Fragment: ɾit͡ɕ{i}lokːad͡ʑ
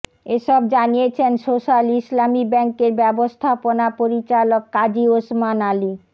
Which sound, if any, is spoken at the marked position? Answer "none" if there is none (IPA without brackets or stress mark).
a